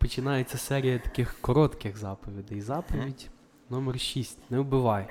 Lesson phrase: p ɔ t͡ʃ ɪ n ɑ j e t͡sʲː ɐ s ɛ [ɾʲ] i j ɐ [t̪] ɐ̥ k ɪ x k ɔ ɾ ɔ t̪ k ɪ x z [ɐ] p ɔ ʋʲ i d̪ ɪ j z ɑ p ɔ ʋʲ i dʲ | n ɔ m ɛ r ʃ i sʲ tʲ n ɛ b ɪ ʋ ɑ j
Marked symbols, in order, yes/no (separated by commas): yes, yes, no